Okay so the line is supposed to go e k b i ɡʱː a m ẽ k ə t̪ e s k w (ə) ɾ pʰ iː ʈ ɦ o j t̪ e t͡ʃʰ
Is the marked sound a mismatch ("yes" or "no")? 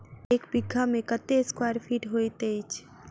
yes